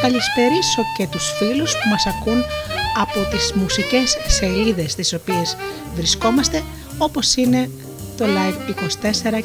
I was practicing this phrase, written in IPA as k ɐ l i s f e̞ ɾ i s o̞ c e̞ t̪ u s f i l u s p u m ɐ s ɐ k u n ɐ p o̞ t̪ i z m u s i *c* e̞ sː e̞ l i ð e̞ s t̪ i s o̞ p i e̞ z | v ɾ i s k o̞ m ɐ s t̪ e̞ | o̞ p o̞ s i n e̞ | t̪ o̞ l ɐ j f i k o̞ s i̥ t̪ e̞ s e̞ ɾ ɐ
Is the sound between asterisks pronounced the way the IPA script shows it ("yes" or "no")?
yes